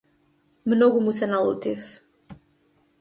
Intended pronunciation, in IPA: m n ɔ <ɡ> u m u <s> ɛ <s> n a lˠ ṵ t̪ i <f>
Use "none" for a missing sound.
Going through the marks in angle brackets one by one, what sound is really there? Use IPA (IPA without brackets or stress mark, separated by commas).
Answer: ɡ, s, none, f